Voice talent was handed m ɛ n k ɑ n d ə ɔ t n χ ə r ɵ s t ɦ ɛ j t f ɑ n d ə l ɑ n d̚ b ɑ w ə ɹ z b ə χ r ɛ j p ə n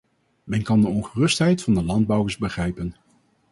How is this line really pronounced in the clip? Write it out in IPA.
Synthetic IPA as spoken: m ɛ n k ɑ n d ə ɔ n χ ə r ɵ s t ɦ ɛ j t f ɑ n d ə l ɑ n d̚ b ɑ w ə ɹ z b ə χ r ɛ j p ə n